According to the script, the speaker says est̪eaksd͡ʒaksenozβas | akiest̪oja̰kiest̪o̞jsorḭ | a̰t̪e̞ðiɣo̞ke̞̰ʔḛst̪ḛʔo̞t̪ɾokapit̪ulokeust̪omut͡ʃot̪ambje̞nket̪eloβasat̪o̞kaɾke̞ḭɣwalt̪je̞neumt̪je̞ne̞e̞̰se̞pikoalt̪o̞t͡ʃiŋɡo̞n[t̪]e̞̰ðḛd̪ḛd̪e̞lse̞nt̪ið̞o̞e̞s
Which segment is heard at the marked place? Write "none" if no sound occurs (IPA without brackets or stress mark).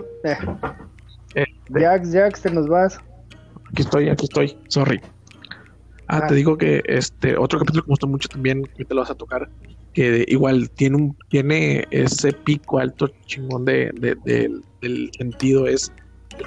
d̪